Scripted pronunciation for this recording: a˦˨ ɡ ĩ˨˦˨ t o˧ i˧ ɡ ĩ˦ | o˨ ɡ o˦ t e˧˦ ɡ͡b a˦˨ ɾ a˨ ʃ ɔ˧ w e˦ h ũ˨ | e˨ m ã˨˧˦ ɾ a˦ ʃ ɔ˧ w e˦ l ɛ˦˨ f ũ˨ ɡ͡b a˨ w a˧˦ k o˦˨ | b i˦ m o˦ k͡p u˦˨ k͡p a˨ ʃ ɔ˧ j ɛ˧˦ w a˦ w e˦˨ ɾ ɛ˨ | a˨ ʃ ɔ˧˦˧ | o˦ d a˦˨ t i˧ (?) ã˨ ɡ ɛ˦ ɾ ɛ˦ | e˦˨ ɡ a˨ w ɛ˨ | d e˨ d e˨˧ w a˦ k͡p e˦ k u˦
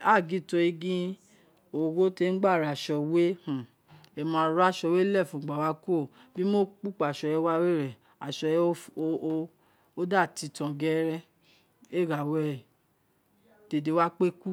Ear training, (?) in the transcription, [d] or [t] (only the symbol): t